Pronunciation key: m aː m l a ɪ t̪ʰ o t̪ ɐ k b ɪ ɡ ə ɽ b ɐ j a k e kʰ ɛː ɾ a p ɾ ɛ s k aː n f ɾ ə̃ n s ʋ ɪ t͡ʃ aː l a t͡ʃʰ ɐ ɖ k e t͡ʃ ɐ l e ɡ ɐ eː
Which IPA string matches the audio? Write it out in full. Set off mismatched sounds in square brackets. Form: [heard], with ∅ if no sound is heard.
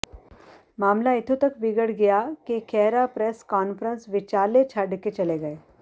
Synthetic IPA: m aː m l a ɪ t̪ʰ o t̪ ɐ k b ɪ ɡ ə ɽ [ɡ] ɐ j a k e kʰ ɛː ɾ a p ɾ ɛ s k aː n f ɾ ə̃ n s ʋ ɪ t͡ʃ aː l [e] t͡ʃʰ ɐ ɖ k e t͡ʃ ɐ l e ɡ ɐ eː